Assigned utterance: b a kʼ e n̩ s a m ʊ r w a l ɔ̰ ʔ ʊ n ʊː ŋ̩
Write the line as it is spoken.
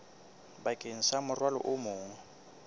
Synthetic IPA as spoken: b a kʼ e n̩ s a m ʊ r w a l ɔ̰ ʔ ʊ m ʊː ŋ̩

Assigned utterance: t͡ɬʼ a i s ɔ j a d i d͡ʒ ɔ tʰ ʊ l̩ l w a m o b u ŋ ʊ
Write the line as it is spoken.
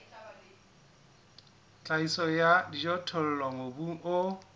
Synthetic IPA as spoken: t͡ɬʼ a i s ɔ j a d i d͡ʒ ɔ tʰ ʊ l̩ l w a ŋ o b u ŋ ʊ

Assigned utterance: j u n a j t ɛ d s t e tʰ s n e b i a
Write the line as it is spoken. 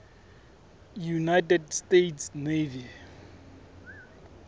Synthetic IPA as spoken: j u n a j t ɛ d s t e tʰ s n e v i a

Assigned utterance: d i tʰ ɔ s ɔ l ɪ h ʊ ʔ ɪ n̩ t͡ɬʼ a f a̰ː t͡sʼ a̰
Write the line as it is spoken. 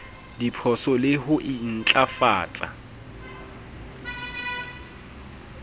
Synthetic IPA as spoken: d i pʰ ɔ s ɔ l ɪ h ʊ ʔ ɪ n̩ t͡ɬʼ a f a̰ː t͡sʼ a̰

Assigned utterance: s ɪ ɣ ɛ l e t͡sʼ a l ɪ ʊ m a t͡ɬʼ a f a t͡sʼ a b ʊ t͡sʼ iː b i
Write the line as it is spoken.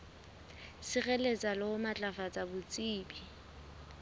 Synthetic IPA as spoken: s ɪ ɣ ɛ l e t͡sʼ a l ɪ ʊ m a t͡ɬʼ a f a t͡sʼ a b ʊ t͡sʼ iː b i

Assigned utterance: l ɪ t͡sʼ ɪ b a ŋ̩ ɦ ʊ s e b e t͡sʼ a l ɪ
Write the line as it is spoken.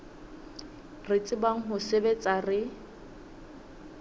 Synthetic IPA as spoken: r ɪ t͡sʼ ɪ b a ŋ̩ ɦ ʊ s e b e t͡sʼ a r ɪ

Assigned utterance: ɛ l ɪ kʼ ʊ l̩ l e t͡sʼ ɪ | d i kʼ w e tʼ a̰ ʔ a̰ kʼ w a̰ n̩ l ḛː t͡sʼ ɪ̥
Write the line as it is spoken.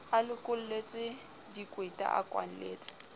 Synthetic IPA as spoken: a l ɪ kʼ ʊ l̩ l e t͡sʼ ɪ | d i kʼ w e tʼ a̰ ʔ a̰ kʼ w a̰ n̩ l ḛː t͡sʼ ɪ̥

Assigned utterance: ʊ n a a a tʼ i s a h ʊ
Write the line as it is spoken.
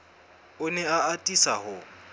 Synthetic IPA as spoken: ʊ n ɛ a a tʼ i s a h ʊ

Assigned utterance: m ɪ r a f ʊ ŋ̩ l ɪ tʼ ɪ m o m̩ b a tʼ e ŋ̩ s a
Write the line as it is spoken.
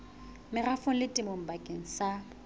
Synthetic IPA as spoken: m ɪ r a f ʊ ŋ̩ l ɪ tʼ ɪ m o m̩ b a kʼ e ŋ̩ s a

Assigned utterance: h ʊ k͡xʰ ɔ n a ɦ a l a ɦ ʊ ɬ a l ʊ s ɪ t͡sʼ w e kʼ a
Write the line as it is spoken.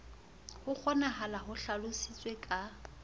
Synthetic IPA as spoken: h ʊ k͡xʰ ɔ n a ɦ a l a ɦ ʊ ɬ a l ʊ s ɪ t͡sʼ w e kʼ a

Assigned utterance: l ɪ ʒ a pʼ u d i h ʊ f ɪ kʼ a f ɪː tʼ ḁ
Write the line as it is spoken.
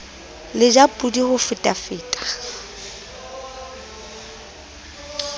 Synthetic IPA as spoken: l ɪ d͡ʒ a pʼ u d i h ʊ f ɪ tʼ a f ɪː tʼ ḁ

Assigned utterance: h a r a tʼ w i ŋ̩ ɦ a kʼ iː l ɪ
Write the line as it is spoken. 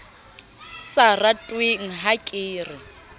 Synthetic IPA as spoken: s a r a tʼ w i ŋ̩ ɦ a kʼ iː r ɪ

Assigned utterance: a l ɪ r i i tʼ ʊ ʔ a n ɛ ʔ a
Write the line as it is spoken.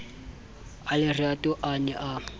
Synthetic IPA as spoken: a l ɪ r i a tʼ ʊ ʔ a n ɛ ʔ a

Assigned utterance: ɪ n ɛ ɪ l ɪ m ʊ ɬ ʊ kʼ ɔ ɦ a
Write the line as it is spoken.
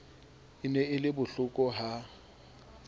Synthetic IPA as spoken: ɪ n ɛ ɪ l ɪ b ʊ ɬ ʊ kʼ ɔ ɦ a

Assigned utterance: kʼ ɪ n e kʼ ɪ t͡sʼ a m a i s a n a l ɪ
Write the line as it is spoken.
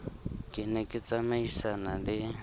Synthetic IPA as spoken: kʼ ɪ n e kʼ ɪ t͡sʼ a m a i s a n a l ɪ

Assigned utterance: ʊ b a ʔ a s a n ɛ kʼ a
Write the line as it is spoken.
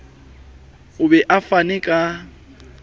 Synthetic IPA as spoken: ʊ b ɛ ʔ a f a n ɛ kʼ a

